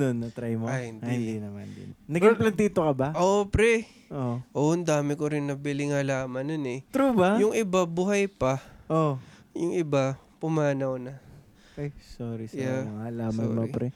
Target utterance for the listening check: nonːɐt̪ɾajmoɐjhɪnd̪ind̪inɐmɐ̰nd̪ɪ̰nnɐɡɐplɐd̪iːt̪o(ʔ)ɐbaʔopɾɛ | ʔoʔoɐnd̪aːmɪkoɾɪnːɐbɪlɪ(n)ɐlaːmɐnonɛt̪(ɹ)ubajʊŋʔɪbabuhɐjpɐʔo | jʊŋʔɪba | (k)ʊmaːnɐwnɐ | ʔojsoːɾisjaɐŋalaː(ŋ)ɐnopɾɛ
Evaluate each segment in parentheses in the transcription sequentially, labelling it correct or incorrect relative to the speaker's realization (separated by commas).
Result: incorrect, incorrect, incorrect, incorrect, incorrect